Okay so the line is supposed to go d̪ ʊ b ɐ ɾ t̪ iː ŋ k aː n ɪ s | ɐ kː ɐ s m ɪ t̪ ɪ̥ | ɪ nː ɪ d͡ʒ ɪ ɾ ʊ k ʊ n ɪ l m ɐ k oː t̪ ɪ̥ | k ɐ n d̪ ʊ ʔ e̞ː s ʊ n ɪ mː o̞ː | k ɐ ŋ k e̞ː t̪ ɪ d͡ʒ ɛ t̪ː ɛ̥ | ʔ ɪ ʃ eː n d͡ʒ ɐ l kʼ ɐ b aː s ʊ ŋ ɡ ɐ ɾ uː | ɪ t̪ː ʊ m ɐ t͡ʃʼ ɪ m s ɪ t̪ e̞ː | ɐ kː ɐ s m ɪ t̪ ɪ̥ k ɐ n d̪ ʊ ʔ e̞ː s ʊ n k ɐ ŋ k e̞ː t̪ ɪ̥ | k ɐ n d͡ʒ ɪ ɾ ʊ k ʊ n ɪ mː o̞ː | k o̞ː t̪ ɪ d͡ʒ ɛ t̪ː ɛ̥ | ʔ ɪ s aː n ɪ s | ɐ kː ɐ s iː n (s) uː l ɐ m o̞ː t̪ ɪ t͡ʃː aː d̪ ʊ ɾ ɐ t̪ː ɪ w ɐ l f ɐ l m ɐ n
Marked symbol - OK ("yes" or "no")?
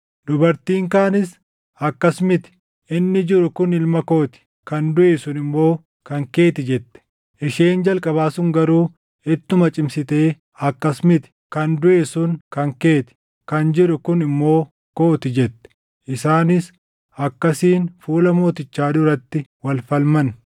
no